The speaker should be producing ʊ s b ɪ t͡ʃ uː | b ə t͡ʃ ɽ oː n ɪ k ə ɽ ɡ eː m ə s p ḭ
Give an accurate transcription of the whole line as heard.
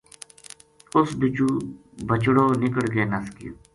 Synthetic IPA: ʊ s b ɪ t͡ʃ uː | b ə t͡ʃ ɽ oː n ɪ k ə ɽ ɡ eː n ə s k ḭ